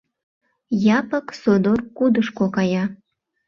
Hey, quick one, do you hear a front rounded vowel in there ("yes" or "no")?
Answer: no